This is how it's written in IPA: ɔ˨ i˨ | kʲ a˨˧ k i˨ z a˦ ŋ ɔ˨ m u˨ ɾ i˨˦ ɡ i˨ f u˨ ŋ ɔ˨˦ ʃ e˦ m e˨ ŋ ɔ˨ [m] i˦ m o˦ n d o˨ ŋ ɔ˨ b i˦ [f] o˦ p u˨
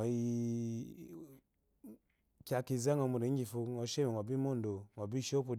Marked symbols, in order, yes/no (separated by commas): no, no